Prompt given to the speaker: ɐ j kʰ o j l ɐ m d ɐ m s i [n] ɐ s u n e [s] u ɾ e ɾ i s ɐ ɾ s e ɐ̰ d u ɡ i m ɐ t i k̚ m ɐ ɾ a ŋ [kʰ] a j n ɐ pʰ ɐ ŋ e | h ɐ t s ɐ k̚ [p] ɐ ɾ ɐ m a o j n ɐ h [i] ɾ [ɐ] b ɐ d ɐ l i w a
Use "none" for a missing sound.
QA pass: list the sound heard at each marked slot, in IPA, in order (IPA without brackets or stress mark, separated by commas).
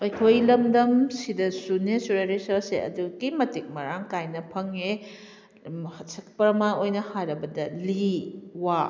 d, s, k, p, a, ɐ